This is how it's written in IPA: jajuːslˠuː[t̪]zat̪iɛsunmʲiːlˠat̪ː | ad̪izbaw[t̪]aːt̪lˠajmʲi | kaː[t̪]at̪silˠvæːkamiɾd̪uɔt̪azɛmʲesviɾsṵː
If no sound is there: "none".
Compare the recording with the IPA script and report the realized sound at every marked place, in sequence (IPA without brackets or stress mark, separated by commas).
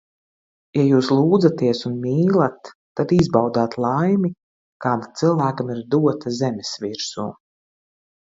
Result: d̪, d̪, d̪